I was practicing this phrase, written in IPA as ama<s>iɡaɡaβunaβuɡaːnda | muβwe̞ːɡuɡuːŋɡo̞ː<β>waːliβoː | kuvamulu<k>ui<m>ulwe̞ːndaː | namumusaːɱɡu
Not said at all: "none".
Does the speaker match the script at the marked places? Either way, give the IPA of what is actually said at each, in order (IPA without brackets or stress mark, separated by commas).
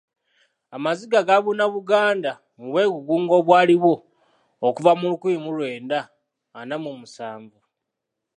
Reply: z, β, k, m